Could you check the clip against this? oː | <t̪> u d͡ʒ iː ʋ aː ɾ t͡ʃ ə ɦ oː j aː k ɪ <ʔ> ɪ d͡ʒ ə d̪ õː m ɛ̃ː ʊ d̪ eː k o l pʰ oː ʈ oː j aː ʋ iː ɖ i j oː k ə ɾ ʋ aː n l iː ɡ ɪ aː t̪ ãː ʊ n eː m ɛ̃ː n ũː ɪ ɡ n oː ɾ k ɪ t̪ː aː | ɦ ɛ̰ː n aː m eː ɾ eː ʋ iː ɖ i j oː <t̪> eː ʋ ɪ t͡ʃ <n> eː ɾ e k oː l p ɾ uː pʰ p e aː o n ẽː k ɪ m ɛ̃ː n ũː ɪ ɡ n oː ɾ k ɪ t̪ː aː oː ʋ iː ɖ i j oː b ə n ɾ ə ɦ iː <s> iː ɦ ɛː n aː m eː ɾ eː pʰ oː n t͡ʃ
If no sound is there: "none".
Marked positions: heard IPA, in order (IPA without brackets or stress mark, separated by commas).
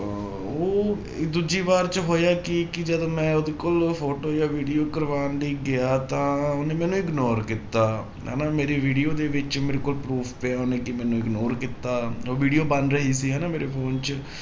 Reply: d̪, k, d̪, m, s